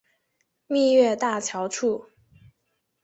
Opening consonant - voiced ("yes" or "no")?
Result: yes